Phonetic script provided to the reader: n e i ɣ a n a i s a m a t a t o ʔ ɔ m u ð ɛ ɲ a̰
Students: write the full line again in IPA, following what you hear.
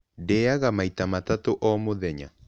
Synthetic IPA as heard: d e a ɣ a m a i t a m a t a t o ʔ ɔ m o ð ɛ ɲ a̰